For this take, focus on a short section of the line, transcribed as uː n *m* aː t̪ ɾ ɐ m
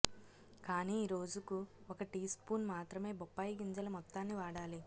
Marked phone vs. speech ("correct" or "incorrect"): correct